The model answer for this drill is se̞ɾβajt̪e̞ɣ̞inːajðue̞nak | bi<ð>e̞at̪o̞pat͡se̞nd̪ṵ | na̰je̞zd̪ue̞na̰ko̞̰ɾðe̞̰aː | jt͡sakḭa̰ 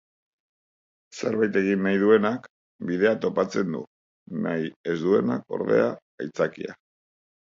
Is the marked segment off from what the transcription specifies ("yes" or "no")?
no